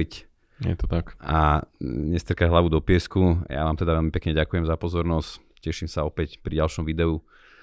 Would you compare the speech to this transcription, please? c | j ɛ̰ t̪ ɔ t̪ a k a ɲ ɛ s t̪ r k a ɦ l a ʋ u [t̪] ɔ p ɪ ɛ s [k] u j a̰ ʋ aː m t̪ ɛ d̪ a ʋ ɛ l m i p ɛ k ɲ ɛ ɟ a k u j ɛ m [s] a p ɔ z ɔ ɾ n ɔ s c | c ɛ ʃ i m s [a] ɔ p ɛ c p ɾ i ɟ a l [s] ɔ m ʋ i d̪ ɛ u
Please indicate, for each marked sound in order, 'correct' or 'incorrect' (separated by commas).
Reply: incorrect, correct, incorrect, correct, incorrect